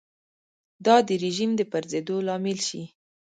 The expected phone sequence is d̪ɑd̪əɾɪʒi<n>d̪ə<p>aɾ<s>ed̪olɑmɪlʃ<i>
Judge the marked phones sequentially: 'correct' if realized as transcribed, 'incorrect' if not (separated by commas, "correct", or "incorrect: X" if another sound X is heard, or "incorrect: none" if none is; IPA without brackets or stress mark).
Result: incorrect: m, correct, incorrect: z, correct